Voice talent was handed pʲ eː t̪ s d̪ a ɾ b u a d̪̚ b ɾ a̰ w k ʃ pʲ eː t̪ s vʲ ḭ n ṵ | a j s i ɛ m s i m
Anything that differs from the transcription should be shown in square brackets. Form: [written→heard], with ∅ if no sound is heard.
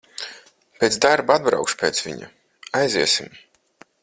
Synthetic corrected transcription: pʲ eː t̪ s d̪ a ɾ b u a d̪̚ b ɾ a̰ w k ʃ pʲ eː t̪ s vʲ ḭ [n→ɲ] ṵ | a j [s→z] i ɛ [m→∅] s i m